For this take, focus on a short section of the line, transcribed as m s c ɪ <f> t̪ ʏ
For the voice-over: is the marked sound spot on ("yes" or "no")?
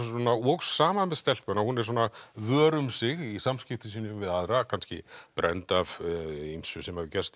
yes